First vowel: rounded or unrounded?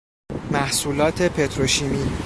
unrounded